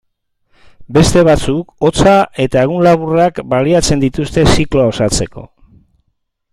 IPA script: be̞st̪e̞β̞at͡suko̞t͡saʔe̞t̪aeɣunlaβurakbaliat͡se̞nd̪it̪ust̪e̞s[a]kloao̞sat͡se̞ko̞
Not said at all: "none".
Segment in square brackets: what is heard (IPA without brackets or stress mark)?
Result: i